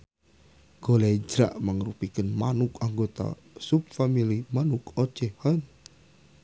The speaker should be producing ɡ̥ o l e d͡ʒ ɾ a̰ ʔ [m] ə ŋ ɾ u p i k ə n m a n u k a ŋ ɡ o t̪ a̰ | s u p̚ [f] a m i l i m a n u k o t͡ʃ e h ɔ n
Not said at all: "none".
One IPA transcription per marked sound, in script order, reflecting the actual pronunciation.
m, f

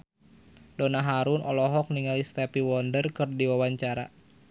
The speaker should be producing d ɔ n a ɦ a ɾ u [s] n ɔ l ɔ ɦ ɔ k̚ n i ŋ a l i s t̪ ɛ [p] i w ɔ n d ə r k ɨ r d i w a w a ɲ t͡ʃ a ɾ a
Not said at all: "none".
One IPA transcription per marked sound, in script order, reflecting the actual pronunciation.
none, p

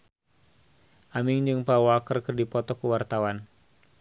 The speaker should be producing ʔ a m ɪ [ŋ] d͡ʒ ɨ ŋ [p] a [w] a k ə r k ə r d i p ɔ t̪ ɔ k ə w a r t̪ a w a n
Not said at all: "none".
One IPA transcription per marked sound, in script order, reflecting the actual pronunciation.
ŋ, p, w

